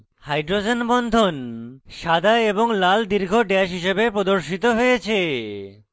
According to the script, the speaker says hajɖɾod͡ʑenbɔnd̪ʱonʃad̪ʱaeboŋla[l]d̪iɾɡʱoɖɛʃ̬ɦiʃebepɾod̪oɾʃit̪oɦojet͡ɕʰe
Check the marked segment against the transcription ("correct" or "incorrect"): correct